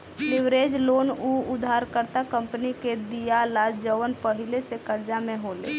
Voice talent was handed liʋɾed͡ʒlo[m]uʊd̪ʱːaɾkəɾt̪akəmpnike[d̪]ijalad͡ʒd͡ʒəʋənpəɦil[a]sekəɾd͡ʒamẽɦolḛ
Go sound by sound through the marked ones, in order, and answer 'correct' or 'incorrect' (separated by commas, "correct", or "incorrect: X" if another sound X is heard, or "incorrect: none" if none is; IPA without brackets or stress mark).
incorrect: n, correct, incorrect: e